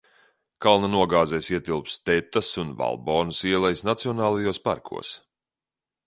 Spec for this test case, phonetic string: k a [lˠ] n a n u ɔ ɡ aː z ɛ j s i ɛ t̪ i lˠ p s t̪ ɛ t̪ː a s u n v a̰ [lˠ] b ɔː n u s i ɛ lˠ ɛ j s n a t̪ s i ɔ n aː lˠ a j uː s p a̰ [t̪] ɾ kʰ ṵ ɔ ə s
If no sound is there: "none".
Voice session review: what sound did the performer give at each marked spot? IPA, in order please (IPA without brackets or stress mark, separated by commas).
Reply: lˠ, lˠ, none